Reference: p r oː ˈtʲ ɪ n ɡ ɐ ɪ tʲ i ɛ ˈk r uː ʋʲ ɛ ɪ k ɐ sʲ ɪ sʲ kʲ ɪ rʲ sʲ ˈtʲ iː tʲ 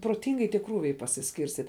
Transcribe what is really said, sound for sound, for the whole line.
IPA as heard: p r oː ˈtʲ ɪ ŋ ɡ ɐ ɪ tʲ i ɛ ˈk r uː ʋʲ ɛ ɪ p ɐ sʲ ɪ sʲ kʲ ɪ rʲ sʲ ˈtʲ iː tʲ

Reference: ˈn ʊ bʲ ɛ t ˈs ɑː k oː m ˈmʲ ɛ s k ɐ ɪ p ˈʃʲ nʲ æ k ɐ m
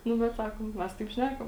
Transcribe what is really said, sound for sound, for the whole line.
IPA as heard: ˈn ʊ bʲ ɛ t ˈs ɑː k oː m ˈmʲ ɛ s t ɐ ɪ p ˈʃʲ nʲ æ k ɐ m

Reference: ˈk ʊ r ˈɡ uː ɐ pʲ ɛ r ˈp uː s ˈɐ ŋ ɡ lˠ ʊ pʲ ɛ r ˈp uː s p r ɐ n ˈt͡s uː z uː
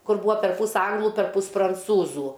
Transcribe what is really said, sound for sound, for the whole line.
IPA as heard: ˈk ʊ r ˈb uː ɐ pʲ ɛ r ˈp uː s ˈɐ ŋ ɡ lˠ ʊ pʲ ɛ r ˈp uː s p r ɐ n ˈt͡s uː z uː

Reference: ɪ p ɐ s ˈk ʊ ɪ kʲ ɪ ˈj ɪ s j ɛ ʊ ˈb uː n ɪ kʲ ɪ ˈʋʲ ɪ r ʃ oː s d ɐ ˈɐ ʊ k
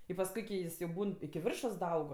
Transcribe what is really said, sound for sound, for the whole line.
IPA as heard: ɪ p ɐ s ˈk ʊ ɪ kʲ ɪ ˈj ɪ s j ɛ ʊ ˈb uː n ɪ kʲ ɪ ˈʋʲ ɪ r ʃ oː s d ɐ ˈɐ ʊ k

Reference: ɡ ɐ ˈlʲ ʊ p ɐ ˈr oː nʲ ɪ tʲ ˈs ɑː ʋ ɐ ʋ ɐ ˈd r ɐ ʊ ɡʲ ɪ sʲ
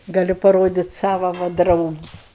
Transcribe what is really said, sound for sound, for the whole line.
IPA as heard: ɡ ɐ ˈlʲ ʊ p ɐ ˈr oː dʲ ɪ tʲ ˈs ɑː ʋ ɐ ʋ ɐ ˈd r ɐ ʊ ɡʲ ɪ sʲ

